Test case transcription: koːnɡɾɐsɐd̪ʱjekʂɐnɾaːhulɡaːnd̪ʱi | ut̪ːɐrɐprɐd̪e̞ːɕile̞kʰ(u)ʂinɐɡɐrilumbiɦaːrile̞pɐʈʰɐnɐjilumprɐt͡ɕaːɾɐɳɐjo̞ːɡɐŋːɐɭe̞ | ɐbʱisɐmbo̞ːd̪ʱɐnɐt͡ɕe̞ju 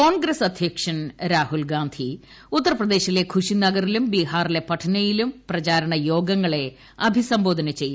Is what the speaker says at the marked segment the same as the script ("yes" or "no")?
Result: yes